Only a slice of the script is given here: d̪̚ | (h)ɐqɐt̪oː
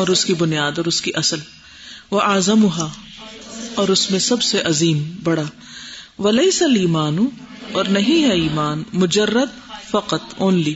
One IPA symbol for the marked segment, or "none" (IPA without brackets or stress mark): f